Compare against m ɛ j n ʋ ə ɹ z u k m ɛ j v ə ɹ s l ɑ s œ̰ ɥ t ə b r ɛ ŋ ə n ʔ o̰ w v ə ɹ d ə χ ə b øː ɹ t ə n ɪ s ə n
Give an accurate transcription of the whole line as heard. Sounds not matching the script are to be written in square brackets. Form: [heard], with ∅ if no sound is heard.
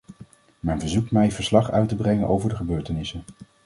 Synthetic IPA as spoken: m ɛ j n [v] ə ɹ z u k m ɛ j v ə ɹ s l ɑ [χ] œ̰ ɥ t ə b r ɛ ŋ ə n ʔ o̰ w v ə ɹ d ə χ ə b øː ɹ t ə n ɪ s ə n